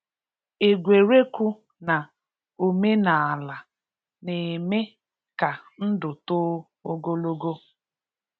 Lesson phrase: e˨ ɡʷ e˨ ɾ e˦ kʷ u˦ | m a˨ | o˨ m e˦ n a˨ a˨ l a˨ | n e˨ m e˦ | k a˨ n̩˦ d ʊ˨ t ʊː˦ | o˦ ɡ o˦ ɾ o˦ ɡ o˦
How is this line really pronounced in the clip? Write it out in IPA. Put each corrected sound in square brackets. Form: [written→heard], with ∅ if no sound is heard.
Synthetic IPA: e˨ ɡʷ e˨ ɾ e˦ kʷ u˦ | [m→n] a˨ | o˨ m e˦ n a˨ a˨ l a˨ | n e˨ m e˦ | k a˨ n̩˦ d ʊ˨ t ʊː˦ | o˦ ɡ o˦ [ɾ→l] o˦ ɡ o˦